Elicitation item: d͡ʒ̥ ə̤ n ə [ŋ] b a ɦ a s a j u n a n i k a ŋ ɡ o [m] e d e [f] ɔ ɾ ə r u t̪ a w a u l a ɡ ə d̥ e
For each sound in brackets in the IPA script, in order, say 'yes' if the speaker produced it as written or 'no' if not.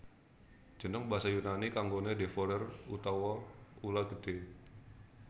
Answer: yes, no, yes

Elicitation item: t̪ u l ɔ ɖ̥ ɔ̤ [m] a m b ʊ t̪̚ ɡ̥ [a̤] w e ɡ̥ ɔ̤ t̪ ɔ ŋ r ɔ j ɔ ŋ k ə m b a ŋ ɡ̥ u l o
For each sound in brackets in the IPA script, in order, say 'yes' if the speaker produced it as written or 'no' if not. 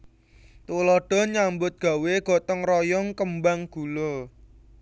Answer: no, yes

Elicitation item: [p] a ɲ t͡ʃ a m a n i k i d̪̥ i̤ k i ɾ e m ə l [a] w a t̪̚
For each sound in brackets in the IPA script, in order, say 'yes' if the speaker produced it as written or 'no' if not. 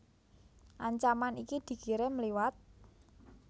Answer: no, no

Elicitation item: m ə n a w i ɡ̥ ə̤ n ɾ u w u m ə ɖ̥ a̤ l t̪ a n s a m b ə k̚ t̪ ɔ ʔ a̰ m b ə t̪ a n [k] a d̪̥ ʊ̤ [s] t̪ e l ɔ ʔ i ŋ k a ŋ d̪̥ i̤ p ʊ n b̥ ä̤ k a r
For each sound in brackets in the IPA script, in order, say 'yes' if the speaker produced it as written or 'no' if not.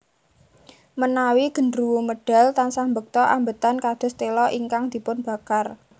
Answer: yes, yes

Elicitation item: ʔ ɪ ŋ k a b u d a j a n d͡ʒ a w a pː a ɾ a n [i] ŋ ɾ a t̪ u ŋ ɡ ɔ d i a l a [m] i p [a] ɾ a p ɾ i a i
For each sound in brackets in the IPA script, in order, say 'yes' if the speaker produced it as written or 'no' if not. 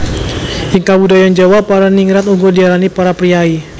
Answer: yes, no, yes

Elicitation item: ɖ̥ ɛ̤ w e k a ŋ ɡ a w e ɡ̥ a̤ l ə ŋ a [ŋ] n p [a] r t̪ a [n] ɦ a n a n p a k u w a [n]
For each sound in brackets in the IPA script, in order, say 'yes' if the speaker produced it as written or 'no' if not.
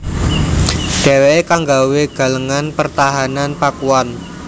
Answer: no, no, no, yes

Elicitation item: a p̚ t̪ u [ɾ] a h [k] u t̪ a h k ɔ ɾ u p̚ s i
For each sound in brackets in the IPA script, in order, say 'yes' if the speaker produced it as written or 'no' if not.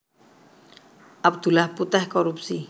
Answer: no, no

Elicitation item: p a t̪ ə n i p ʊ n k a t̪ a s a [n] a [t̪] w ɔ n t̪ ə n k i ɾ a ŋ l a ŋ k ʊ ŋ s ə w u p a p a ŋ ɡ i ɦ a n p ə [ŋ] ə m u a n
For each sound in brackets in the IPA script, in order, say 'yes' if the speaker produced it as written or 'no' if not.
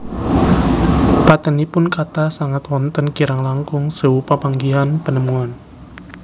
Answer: no, yes, no

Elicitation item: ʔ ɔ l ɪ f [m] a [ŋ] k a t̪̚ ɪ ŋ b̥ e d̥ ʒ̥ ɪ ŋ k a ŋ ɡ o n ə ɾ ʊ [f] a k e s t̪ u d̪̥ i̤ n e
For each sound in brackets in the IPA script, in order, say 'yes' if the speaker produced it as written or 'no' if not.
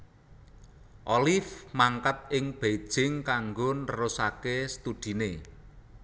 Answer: yes, yes, no

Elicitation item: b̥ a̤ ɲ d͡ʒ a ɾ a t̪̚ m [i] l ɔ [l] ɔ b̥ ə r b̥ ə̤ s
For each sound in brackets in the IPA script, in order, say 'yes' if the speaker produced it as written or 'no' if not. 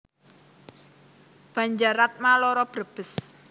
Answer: no, no

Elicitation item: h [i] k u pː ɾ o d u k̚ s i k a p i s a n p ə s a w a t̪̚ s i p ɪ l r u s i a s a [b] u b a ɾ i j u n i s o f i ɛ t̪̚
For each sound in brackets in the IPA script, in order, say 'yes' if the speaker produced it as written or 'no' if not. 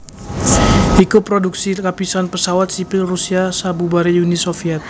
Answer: yes, yes

